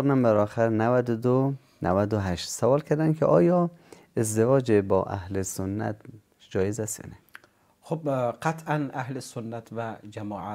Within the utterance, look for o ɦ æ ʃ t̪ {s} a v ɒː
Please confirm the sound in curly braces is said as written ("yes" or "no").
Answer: yes